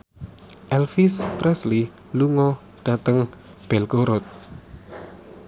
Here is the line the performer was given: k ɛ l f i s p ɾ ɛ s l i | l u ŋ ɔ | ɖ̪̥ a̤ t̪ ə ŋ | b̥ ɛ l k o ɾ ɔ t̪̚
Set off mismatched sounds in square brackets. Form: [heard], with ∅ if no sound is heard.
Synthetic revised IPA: [ʔ] ɛ l f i s p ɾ ɛ s l i | l u ŋ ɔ | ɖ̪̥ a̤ t̪ ə ŋ | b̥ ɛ l k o ɾ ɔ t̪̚

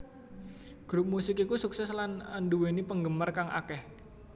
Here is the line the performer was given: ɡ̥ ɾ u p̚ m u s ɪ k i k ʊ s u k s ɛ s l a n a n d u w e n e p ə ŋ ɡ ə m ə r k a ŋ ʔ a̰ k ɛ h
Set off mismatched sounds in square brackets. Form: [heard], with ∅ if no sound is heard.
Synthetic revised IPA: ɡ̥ ɾ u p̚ m u s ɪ k i k [u] s u k s ɛ s l a n a n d u w e n [i] p ə ŋ ɡ ə m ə r k a ŋ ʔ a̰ k ɛ h

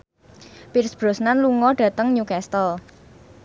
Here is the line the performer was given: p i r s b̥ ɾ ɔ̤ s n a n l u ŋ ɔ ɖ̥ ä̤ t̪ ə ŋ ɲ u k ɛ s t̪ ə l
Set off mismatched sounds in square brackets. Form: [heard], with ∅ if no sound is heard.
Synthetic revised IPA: p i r s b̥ ɾ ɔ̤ s n a n l u ŋ ɔ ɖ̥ ä̤ t̪ ə ŋ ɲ u k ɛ s t̪ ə l

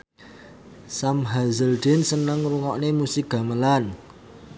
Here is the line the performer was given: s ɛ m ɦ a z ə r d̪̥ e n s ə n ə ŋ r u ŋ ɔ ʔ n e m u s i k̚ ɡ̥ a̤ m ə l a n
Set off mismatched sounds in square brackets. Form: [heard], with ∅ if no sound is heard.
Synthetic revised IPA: s [a] m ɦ a z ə [l] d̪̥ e n s ə n ə ŋ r u ŋ ɔ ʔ n e m u s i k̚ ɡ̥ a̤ m ə l a n

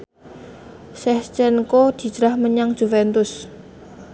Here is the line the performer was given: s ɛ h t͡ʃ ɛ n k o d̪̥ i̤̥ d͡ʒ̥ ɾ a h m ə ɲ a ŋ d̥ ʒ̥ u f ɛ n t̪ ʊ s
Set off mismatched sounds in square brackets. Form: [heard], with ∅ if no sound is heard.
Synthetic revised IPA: s ɛ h t͡ʃ ɛ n k o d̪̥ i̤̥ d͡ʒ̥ ɾ a h m ə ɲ a ŋ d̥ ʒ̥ u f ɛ n t̪ ʊ s

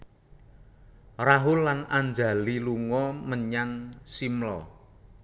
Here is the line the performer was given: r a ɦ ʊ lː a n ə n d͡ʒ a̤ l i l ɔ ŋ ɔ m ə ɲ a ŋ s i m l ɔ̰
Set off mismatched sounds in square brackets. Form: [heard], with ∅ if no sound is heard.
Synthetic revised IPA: r a ɦ ʊ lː a n [a] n d͡ʒ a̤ l i l [u] ŋ ɔ m ə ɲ a ŋ s i m l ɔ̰

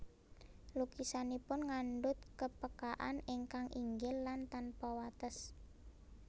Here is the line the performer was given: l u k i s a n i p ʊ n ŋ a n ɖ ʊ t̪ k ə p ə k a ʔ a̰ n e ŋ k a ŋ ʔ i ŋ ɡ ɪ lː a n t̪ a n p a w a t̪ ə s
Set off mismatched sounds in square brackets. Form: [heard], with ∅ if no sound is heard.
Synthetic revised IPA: l u k i s a n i p ʊ n ŋ a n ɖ ʊ t̪ k ə p ə k a ʔ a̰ n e ŋ k a ŋ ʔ i ŋ ɡ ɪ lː a n t̪ a n p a w a t̪ ə s

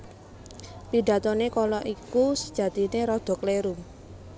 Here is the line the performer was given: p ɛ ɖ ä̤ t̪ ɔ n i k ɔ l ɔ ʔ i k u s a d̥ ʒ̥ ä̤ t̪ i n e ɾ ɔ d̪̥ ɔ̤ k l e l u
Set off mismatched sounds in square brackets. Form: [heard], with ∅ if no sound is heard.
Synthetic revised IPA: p [i] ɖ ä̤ t̪ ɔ n [e] k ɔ l ɔ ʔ i k u s [ə] d̥ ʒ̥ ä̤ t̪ i n e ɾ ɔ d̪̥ ɔ̤ k l e [ɾ] u

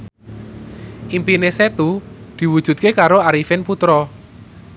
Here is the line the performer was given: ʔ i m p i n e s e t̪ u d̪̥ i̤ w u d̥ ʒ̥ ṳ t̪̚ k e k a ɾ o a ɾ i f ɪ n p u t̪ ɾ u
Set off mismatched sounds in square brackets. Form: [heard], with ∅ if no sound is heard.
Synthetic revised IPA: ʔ i m p i n e s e t̪ u d̪̥ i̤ w u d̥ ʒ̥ ṳ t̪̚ k e k a ɾ o a ɾ i f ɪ n p u t̪ ɾ [ɔ]

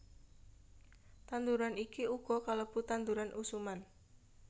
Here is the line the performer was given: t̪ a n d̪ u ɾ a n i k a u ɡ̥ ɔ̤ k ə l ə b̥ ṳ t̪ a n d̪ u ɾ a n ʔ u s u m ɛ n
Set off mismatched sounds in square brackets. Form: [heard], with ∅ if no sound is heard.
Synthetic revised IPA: t̪ a n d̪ u ɾ a n i k [i] u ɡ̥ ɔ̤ k [a] l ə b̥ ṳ t̪ a n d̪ u ɾ a n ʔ u s u m [a] n

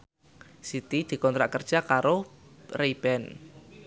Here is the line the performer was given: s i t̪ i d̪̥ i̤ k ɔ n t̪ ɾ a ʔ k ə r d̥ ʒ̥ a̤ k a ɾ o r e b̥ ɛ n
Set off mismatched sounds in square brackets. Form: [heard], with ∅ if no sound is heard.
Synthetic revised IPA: s i t̪ i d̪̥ i̤ k ɔ n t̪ ɾ a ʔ k ə r d̥ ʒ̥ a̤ k a ɾ o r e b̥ ɛ n

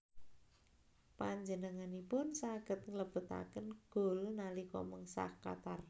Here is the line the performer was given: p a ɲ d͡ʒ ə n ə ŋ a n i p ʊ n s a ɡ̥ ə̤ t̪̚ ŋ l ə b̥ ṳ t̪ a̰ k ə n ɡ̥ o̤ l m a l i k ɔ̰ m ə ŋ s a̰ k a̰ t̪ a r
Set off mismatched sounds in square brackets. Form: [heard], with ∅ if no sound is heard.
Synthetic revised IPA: p a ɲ d͡ʒ ə n ə ŋ a n i p ʊ n s a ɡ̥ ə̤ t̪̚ ŋ l ə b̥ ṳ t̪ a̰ k ə n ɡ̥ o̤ l [n] a l i k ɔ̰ m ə ŋ s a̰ k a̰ t̪ a r

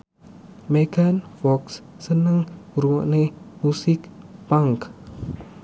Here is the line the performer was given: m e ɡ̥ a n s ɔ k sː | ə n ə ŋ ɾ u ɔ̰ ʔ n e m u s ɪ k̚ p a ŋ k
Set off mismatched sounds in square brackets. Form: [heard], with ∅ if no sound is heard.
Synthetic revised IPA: m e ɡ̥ a n [f] ɔ k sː | ə n ə ŋ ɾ u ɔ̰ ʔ n e m u s ɪ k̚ p a ŋ k

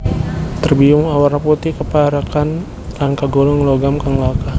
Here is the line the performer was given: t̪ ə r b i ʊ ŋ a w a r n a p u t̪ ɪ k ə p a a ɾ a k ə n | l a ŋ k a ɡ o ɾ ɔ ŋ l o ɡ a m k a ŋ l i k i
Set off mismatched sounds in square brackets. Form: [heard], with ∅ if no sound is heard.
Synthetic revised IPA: t̪ ə r b i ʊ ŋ a w a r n a p u t̪ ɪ k ə p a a ɾ a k [a] n | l a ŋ k a ɡ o [l] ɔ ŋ l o ɡ a m k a ŋ l [a] k [a]

